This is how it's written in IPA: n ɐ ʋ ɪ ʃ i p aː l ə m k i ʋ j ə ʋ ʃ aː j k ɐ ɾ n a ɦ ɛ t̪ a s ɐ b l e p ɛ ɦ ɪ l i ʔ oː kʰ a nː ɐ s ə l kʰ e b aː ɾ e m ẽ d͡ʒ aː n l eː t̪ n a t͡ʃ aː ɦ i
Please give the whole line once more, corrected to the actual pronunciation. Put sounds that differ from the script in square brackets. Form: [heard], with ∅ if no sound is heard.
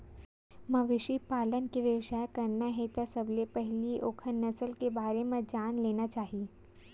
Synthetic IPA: [m] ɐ ʋ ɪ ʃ i p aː l ə [n] k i ʋ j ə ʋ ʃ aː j k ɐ ɾ n a ɦ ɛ t̪ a s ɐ b l e p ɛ ɦ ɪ l i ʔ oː kʰ [ə] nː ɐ s ə l [k] e b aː ɾ e m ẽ d͡ʒ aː n l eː [∅] n a t͡ʃ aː ɦ i